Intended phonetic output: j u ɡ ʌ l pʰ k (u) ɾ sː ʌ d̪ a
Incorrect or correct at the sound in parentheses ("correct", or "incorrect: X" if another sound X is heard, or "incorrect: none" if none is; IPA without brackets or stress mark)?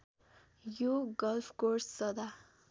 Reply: incorrect: o